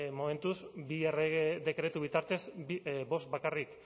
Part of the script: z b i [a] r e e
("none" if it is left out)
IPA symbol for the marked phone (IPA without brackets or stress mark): e